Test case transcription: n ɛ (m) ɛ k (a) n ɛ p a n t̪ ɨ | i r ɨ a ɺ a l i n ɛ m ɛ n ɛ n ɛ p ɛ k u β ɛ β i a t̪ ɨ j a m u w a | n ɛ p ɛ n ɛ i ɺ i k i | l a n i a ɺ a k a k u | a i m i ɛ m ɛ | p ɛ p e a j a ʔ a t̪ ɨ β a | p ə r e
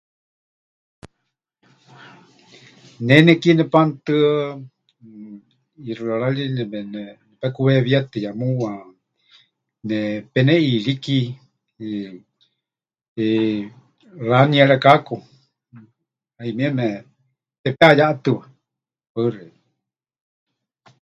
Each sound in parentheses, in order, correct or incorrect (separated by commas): incorrect, incorrect